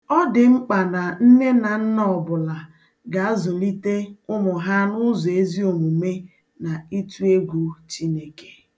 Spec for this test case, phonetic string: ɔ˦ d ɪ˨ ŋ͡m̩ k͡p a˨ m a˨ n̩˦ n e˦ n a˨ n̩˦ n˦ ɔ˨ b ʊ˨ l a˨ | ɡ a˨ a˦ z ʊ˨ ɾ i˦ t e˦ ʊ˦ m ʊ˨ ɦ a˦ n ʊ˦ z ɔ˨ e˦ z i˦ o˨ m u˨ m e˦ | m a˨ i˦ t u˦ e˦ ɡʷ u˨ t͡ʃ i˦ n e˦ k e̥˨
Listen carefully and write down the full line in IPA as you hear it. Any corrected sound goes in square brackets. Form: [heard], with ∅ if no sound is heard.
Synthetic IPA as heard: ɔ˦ d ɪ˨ ŋ͡m̩ k͡p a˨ [n] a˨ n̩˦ n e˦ n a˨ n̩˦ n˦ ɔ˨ b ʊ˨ l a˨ | ɡ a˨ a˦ z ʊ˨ [l] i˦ t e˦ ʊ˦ m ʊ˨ ɦ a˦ n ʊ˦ z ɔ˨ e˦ z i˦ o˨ m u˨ m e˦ | [n] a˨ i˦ t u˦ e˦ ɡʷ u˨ t͡ʃ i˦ n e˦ k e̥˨